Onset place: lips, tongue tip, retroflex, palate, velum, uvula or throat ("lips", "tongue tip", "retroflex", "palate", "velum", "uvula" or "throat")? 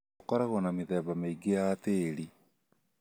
velum